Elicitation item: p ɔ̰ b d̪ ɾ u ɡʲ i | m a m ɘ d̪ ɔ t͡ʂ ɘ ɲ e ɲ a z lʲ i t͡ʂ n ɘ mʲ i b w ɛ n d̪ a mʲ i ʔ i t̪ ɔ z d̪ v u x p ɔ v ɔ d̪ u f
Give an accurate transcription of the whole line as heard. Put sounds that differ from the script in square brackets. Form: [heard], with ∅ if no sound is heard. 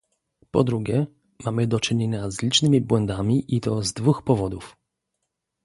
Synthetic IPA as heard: p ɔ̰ [∅] d̪ ɾ u ɡʲ [ɛ] | m a m ɘ d̪ ɔ t͡ʂ ɘ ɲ e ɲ a z lʲ i t͡ʂ n ɘ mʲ i b w ɛ n d̪ a mʲ i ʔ i t̪ ɔ z d̪ v u x p ɔ v ɔ d̪ u f